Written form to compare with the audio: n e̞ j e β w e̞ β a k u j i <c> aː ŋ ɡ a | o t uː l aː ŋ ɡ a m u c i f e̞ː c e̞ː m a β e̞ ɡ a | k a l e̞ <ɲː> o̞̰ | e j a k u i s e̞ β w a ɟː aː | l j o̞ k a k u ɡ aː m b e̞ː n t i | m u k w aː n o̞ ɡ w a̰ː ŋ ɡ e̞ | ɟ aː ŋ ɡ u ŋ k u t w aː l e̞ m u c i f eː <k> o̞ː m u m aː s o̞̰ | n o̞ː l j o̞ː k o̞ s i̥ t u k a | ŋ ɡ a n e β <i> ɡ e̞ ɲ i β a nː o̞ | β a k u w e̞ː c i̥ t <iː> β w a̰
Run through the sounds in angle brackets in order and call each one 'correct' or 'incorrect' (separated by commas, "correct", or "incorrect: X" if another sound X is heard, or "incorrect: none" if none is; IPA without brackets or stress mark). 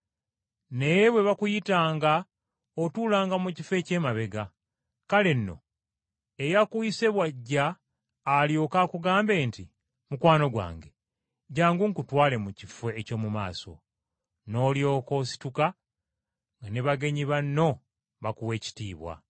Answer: incorrect: t, incorrect: nː, incorrect: c, incorrect: a, correct